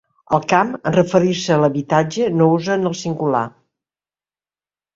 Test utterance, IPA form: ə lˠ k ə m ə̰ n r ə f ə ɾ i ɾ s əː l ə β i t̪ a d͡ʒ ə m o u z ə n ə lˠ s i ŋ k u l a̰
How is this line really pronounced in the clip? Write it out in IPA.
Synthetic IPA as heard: ə lˠ k a m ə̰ n r ə f ə ɾ i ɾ s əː l ə β i t̪ a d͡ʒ ə n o u z ə n ə lˠ s i ŋ ɡ u l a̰